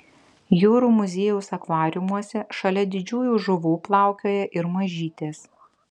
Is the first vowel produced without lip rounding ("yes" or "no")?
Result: no